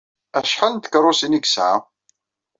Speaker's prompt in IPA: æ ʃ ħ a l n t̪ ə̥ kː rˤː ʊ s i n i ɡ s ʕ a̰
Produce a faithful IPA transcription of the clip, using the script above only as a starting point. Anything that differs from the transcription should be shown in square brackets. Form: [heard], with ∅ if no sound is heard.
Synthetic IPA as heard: æ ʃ ħ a l n t̪ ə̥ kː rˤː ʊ s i n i ɡ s ʕ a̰